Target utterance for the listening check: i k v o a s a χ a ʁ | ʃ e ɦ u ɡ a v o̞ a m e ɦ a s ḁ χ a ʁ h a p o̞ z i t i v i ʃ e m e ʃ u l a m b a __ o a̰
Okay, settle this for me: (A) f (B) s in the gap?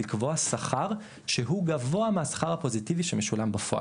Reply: A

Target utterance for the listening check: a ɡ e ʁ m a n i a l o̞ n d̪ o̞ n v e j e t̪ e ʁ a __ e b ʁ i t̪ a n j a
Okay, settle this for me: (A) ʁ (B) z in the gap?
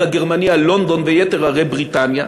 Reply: A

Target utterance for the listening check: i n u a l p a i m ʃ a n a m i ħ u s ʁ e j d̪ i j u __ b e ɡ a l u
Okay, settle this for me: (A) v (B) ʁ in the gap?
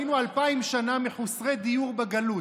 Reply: B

